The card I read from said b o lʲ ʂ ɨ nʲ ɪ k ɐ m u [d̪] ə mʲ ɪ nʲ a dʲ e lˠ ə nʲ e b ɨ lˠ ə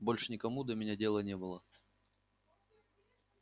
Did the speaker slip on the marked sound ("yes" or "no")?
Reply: no